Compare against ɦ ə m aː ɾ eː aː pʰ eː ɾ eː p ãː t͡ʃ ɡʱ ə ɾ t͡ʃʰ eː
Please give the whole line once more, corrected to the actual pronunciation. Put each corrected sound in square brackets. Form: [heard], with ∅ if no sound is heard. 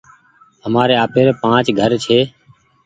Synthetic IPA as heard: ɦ ə m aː ɾ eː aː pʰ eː ɾ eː p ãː t͡ʃ ɡʱ ə ɾ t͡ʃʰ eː